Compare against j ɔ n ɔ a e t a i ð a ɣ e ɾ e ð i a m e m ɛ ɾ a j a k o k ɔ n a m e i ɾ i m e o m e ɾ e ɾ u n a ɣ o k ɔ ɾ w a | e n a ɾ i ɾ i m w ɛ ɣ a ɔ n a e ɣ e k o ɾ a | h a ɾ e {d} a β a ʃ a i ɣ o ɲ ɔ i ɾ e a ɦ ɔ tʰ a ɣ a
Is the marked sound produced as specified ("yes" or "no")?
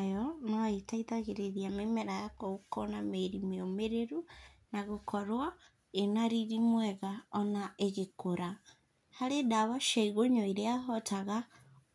yes